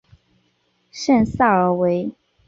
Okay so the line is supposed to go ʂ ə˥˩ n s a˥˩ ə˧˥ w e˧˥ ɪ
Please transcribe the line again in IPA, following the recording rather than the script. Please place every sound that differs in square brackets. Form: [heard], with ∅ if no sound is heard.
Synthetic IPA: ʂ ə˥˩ n s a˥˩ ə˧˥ w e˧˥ ɪ